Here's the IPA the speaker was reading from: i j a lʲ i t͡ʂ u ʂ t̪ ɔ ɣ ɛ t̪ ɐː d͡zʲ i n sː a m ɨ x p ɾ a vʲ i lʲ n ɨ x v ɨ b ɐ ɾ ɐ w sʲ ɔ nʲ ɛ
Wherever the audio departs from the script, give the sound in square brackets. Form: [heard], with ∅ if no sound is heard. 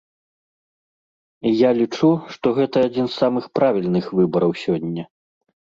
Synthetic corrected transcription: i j a lʲ i t͡ʂ u ʂ t̪ ɔ ɣ ɛ t̪ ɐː d͡zʲ i n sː a m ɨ x p ɾ a vʲ i lʲ n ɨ x v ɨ b ɐ ɾ ɐ w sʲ ɔ [nʲː] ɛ